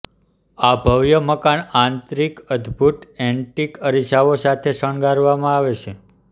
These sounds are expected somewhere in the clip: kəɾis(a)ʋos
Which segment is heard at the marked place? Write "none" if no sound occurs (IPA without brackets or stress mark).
a